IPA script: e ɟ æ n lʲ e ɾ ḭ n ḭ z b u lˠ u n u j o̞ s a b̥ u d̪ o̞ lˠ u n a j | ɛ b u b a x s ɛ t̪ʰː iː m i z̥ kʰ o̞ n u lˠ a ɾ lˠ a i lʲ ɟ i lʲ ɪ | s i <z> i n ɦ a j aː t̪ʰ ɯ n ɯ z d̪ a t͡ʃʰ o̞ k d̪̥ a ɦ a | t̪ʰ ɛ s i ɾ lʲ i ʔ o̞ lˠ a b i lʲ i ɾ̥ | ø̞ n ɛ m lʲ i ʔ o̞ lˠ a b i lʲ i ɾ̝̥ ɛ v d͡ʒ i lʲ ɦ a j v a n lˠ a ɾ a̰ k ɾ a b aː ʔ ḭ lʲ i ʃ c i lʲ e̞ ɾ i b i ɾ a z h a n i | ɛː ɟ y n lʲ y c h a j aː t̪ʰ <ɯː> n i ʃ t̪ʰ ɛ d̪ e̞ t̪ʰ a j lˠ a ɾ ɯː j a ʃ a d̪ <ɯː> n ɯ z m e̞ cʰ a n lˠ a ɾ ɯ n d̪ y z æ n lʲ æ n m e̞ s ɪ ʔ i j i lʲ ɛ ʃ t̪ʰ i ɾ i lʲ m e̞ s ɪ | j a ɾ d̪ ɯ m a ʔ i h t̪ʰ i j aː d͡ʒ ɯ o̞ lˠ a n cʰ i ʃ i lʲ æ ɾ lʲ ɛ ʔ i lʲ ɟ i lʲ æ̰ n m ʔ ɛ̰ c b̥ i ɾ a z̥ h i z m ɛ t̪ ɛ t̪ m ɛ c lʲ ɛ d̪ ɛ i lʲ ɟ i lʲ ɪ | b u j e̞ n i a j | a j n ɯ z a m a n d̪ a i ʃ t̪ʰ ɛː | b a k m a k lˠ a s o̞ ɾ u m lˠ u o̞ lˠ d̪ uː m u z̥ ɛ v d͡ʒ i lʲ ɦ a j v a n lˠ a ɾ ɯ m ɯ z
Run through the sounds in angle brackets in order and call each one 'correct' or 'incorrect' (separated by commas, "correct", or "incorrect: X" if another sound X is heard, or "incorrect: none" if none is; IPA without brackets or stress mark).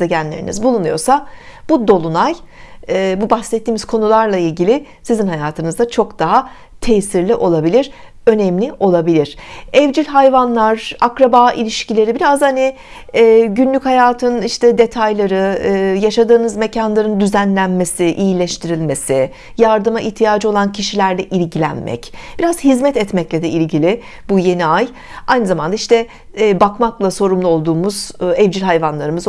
correct, incorrect: ɯ, correct